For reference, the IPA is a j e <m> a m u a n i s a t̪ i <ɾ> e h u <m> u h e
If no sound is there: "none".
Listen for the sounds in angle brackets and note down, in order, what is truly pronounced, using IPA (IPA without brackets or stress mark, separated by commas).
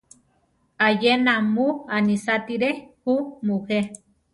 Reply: n, ɾ, m